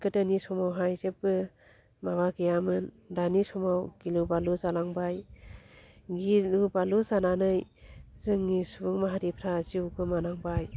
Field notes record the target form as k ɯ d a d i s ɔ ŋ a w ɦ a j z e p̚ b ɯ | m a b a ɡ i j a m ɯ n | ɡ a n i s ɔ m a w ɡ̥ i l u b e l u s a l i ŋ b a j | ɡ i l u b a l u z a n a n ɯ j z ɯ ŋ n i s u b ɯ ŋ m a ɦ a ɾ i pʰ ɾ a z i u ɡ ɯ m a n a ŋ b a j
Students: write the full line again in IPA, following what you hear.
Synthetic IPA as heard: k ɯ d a n i s ɔ m a w ɦ a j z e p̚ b ɯ | m a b a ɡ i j a m ɯ n | d a n i s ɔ m a w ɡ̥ i l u b a l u z a l a ŋ b a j | ɡ i l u b a l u z a n a n ɯ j z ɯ ŋ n i s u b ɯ ŋ m a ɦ a ɾ i pʰ ɾ a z i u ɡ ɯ m a n a ŋ b a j